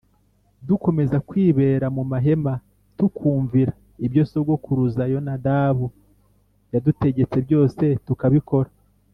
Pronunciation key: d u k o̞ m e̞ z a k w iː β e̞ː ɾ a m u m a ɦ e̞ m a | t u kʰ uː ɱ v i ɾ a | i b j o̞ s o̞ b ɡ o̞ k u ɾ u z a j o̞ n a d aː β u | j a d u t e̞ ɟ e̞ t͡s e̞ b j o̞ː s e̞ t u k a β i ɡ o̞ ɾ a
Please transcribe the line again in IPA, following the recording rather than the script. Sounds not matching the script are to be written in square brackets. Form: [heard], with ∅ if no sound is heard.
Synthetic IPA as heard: d u k o̞ m e̞ z a k w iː β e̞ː ɾ a m u m a ɦ e̞ m a | t u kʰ uː ɱ v i ɾ a | i b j o̞ s o̞ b ɡ o̞ k u ɾ u z a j o̞ n a d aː β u | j a d u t e̞ ɟ e̞ t͡s e̞ b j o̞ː s e̞ t u k a β i [k] o̞ ɾ a